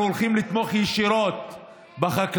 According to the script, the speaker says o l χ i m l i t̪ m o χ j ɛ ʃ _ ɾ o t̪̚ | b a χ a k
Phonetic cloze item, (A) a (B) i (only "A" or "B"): B